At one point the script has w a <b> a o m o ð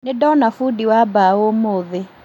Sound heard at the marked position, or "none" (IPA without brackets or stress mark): b